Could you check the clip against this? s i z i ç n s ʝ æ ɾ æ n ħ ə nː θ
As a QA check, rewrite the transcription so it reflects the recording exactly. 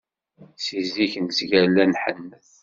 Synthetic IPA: s i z i ç n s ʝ æ l æ n ħ ə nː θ

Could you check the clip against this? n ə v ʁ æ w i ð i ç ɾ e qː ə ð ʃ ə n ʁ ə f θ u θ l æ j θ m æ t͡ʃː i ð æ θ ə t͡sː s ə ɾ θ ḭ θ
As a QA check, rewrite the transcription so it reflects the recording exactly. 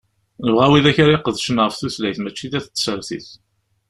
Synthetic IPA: n ə v ʁ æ w i ð æ ç ɾ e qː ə ð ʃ ə n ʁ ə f θ u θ l æ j θ m æ t͡ʃː i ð æ θ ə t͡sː s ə ɾ θ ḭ θ

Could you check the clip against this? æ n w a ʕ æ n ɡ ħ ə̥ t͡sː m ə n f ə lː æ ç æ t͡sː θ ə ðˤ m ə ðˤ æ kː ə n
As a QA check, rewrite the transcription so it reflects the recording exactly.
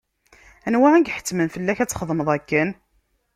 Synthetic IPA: æ n w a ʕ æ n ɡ ħ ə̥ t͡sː m ə n f ə lː æ ç æ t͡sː χ ə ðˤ m ə ðˤ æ kː ə n

